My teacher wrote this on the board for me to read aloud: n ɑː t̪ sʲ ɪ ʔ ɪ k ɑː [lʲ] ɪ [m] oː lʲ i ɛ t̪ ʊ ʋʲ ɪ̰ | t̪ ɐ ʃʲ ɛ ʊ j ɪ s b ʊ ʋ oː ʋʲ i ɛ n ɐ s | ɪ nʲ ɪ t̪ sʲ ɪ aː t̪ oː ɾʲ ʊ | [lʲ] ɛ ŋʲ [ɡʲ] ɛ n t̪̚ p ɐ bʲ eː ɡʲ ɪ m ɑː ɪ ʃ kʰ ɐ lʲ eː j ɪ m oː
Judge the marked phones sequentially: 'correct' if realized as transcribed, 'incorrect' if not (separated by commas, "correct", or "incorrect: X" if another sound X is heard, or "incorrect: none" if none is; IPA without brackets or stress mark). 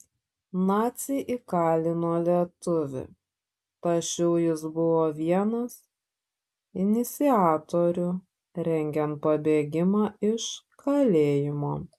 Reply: correct, incorrect: n, incorrect: ɾʲ, correct